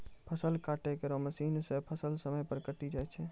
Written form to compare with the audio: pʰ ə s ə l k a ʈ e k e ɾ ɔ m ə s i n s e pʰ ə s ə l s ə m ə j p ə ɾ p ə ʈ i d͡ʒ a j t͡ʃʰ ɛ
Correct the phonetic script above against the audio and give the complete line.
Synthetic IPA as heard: pʰ ə s ə l k a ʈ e k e ɾ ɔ m ə s i n s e pʰ ə s ə l s ə m ə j p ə ɾ k ə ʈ i d͡ʒ a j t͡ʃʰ ɛ